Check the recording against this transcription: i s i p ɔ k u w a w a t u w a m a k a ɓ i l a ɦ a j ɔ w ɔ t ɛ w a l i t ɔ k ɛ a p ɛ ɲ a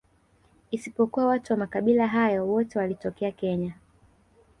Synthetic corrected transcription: i s i p ɔ k u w a w a t u w a m a k a ɓ i l a ɦ a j ɔ w ɔ t ɛ w a l i t ɔ k ɛ a k ɛ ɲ a